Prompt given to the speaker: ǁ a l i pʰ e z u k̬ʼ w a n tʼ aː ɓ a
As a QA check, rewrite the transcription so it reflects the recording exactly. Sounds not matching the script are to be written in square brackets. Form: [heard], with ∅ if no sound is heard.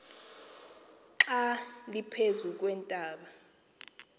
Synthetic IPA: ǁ a l i pʰ e z u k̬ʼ w [ɛ] n tʼ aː ɓ a

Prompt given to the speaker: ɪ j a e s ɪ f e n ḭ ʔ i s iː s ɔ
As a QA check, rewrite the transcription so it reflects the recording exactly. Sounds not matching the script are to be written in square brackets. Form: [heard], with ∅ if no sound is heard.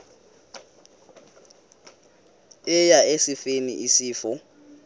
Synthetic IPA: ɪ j a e s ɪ f e n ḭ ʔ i s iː [f] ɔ

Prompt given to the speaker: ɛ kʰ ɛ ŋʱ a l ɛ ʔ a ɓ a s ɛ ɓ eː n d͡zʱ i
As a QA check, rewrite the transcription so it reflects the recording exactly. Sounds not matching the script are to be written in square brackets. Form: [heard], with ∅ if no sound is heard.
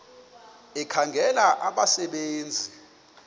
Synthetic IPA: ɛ kʰ [a] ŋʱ [ɛ] l [a] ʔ a ɓ a s ɛ ɓ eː n d͡zʱ i

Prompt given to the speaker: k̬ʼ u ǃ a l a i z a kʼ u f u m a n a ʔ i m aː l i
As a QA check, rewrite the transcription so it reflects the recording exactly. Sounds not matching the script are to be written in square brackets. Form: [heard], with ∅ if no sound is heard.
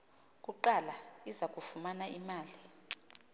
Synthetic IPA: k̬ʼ u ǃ a l a i z a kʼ u f u m a n a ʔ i m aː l i

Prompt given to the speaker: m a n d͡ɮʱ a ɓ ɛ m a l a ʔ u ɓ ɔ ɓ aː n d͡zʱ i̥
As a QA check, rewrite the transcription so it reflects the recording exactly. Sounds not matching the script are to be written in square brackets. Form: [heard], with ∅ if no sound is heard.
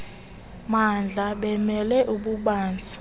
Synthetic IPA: m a n d͡ɮʱ a ɓ ɛ m [ɛ] l [ɛ] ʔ u ɓ [u] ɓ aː n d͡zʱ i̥

